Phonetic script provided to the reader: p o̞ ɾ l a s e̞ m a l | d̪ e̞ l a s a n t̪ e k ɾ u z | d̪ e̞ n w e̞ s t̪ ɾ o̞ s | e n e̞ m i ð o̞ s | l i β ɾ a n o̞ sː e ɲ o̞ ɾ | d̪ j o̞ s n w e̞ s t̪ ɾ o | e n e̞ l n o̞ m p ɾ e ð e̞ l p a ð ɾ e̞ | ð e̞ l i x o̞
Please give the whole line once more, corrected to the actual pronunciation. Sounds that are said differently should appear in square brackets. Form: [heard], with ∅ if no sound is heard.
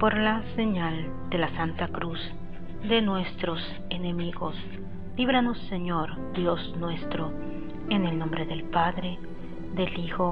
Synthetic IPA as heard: p o̞ ɾ l a s e̞ [ɲ] a l | d̪ e̞ l a s a n t̪ [a] k ɾ u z | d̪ e̞ n w e̞ s t̪ ɾ o̞ s | e n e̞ m i [ɣ] o̞ s | l i β ɾ a n o̞ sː e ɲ o̞ ɾ | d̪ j o̞ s n w e̞ s t̪ ɾ o | e n e̞ l n o̞ m [b] ɾ e ð e̞ l p a ð ɾ e̞ | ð e̞ l i x o̞